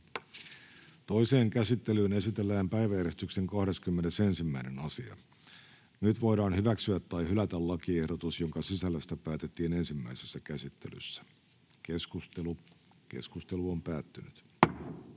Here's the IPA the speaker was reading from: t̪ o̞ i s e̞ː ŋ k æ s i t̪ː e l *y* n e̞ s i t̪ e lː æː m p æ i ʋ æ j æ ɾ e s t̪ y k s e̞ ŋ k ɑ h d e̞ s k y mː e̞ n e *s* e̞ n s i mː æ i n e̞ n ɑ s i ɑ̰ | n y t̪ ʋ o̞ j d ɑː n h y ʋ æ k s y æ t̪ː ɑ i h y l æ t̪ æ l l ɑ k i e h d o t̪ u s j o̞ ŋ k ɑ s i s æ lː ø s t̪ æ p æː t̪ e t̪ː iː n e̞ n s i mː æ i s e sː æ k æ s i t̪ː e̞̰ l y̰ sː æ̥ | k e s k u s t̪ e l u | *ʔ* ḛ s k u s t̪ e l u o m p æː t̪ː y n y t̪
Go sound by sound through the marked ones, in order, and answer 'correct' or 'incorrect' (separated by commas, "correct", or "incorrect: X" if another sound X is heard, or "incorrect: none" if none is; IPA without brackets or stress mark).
incorrect: yː, correct, incorrect: k